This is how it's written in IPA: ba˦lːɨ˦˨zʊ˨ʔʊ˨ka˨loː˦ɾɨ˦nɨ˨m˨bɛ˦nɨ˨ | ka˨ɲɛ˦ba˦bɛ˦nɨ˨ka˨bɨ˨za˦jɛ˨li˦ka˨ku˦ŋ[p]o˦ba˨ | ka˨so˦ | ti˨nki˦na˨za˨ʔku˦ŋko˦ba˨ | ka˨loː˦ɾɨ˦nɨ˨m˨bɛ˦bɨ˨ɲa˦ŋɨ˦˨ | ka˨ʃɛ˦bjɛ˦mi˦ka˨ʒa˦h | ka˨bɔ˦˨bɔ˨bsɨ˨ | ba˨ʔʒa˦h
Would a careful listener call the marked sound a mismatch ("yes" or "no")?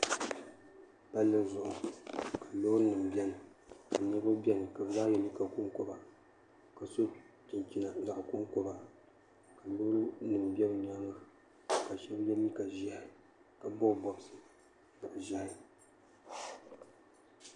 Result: yes